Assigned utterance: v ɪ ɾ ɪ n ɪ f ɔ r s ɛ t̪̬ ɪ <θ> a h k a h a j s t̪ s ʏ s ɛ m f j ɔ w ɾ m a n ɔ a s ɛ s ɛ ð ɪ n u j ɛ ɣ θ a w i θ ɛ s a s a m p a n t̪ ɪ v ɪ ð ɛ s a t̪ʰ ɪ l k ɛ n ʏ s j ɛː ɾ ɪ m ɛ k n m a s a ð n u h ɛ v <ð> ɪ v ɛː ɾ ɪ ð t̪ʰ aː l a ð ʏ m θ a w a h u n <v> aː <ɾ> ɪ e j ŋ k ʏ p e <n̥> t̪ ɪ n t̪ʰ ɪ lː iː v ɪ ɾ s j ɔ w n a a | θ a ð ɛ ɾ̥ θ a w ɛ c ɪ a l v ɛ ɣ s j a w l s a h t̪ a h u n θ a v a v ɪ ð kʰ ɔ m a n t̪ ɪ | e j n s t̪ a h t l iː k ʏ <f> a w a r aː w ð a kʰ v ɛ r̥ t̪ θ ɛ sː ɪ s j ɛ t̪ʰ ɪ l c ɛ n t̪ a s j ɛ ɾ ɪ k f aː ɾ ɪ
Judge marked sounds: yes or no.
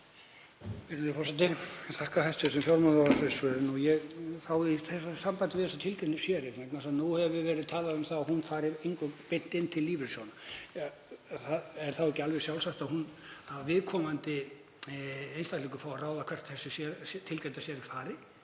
yes, no, no, yes, yes, yes

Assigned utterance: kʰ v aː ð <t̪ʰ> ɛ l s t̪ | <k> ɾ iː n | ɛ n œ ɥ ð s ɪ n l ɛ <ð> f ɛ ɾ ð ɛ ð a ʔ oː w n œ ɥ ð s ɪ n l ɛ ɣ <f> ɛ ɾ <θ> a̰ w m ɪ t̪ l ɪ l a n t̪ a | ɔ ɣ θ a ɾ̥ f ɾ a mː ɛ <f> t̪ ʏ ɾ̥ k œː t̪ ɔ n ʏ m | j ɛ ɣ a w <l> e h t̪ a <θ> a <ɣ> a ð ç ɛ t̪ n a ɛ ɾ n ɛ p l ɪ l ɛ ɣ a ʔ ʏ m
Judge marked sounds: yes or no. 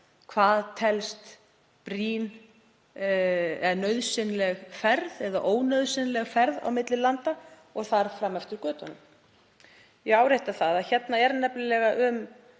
yes, no, no, yes, no, yes, no, yes, no

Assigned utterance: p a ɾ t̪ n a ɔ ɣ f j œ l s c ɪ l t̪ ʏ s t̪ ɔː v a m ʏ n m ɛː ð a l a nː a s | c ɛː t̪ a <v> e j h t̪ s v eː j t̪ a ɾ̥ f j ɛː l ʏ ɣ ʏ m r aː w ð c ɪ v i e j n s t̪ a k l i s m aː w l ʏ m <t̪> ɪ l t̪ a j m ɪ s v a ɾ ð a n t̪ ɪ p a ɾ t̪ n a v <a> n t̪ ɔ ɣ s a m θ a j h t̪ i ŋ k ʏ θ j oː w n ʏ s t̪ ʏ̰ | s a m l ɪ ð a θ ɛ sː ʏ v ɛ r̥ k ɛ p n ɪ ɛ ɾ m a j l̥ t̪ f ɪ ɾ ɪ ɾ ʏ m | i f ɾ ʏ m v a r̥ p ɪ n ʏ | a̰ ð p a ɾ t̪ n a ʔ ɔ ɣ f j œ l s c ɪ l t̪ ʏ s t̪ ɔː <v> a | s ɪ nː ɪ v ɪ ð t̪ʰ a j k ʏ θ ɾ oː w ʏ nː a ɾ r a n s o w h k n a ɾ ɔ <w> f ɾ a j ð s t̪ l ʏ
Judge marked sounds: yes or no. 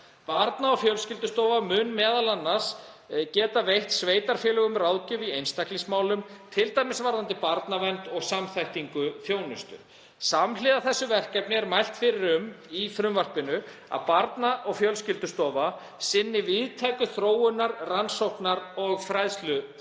yes, no, no, yes, no

